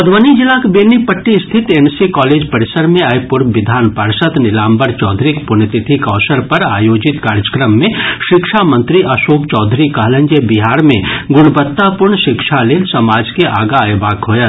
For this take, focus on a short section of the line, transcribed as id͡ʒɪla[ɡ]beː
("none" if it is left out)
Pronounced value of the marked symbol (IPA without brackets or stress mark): k